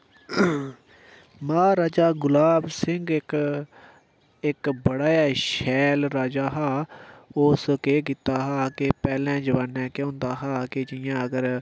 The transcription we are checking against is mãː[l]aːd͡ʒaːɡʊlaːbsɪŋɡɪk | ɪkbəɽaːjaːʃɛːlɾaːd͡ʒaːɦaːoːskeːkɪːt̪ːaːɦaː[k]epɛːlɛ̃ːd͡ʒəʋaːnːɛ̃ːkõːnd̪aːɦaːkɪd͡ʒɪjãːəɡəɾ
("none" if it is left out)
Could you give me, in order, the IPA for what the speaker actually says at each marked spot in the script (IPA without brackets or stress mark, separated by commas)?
ɾ, k